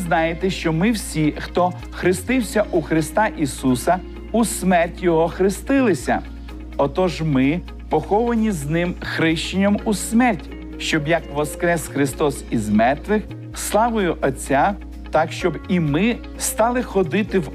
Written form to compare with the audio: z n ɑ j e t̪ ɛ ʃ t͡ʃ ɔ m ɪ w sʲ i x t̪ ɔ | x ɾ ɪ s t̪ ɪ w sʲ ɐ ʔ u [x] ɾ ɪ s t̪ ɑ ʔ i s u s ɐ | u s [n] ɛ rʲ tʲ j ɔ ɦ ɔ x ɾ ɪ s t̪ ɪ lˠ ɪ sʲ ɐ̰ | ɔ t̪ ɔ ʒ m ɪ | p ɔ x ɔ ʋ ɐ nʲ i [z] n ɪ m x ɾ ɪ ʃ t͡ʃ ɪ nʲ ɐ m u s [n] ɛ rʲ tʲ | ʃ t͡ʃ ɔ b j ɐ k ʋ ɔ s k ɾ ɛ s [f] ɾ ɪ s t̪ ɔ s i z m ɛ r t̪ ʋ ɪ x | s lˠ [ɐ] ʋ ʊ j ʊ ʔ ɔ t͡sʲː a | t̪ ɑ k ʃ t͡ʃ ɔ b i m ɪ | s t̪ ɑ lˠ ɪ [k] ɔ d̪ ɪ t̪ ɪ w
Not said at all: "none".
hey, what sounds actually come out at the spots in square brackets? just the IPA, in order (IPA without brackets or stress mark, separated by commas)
x, m, z, m, x, ɑ, x